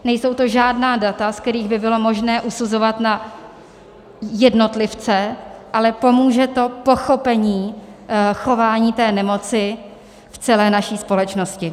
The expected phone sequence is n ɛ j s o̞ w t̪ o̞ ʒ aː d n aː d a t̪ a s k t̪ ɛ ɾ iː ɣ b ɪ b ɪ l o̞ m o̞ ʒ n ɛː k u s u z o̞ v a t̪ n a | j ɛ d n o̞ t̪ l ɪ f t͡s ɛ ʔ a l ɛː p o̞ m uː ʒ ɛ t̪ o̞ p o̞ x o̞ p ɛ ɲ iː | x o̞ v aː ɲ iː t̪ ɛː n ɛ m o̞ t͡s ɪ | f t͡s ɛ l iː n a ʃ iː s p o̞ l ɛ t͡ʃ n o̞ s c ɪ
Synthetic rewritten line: n ɛ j s o̞ w t̪ o̞ ʒ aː d n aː d a t̪ a s k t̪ ɛ ɾ iː ɣ b ɪ b ɪ l o̞ m o̞ ʒ n ɛː ʔ u s u z o̞ v a t̪ n a | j ɛ d n o̞ t̪ l ɪ f t͡s ɛ ʔ a l ɛ p o̞ m uː ʒ ɛ t̪ o̞ p o̞ x o̞ p ɛ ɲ iː | x o̞ v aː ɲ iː t̪ ɛː n ɛ m o̞ t͡s ɪ | f t͡s ɛ l ɛː n a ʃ iː s p o̞ l ɛ t͡ʃ n o̞ s c ɪ

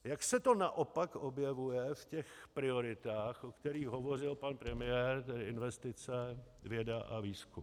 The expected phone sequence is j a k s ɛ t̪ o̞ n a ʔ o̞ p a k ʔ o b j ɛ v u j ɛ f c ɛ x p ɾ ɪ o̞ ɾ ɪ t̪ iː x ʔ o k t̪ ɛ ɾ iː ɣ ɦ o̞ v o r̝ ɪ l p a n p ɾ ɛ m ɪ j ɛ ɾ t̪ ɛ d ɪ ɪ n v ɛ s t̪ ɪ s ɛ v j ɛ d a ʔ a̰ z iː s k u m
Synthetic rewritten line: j a k s ɛ t̪ o̞ n a ʔ o̞ p a k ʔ o b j ɛ v u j ɛ f c ɛ x p ɾ ɪ o̞ ɾ ɪ t̪ aː x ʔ o k t̪ ɛ ɾ iː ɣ ɦ o̞ v o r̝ ɪ l p a n p ɾ ɛ m ɪ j ɛ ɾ t̪ ɛ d ɪ ɪ n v ɛ s t̪ ɪ t͡s ɛ v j ɛ d a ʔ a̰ v iː s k u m

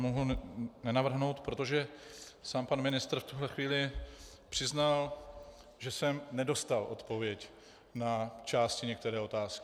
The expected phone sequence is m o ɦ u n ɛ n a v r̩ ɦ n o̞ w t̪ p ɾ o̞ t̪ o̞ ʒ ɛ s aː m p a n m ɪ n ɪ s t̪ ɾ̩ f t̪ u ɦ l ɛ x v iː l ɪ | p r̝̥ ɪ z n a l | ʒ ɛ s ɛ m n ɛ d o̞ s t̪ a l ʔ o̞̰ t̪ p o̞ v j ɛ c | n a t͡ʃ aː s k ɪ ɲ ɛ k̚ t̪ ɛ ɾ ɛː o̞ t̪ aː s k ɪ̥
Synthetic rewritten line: m o ɦ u n ɛ n a v r̩ ɦ n o̞ w t̪ p ɾ o̞ t̪ o̞ ʒ ɛ s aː m p a n m ɪ n ɪ s t̪ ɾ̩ f t̪ u ɦ l ɛ x v iː l ɪ | p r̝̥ ɪ z n a l | ʒ ɛ s ɛ m n ɛ d o̞ s t̪ a l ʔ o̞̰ t̪ p o̞ v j ɛ c | n a t͡ʃ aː s c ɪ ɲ ɛ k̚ t̪ ɛ ɾ ɛː o̞ t̪ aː s k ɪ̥

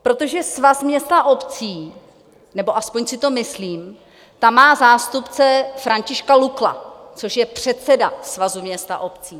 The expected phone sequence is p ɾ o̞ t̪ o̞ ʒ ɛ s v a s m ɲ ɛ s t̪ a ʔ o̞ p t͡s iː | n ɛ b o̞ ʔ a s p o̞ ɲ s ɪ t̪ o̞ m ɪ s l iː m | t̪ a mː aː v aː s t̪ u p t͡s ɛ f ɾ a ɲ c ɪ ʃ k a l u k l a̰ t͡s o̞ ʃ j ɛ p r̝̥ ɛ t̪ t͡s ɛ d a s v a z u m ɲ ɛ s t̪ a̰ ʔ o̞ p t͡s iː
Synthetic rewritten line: p ɾ o̞ t̪ o̞ ʒ ɛ s v a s m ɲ ɛ s t̪ a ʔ o̞ p t͡s iː | n ɛ b o̞ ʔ a s p o̞ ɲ s ɪ t̪ o̞ m ɪ s l iː m | t̪ a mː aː z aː s t̪ u p t͡s ɛ f ɾ a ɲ c ɪ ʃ k a l u k l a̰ t͡s o̞ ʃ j ɛ p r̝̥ ɛ t̪ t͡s ɛ d a s v a z u m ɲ ɛ s t̪ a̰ ʔ o̞ p t͡s iː

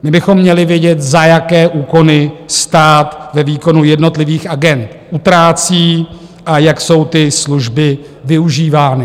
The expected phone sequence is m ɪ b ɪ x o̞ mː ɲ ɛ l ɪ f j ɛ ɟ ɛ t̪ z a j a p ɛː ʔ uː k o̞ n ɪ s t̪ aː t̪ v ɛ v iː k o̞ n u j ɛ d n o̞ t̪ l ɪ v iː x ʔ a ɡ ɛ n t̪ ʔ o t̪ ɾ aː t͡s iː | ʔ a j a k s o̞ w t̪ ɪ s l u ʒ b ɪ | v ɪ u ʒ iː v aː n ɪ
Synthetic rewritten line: m ɪ b ɪ x o̞ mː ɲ ɛ l ɪ v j ɛ ɟ ɛ t̪ z a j a k ɛː ʔ uː k o̞ n ɪ s t̪ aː t̪ v ɛ v iː k o̞ n u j ɛ d n o̞ t̪ l ɪ v iː x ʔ a ɡ ɛ n t̪ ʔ u t̪ ɾ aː t͡s iː | ʔ a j a k s o̞ w t̪ ɪ s l u ʒ b ɪ | v ɪ u ʒ iː v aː n ɪ

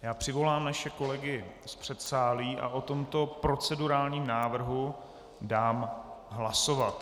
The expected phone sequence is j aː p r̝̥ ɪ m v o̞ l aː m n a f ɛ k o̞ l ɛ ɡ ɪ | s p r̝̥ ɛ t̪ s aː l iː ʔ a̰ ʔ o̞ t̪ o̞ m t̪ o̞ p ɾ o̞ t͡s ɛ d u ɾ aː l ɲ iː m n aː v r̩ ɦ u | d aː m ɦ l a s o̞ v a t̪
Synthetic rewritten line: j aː p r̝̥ ɪ v o̞ l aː m n a ʃ ɛ k o̞ l ɛ ɡ ɪ | s p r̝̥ ɛ t̪ s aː l iː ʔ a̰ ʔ o̞ t̪ o̞ m t̪ o̞ p ɾ o̞ t͡s ɛ d u ɾ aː l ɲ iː m n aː v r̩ ɦ u | d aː m ɦ l a s o̞ v a t̪

